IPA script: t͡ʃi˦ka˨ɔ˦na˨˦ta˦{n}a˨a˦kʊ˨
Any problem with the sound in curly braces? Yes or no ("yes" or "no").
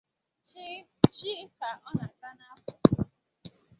no